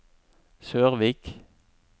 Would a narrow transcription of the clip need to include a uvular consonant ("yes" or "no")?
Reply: yes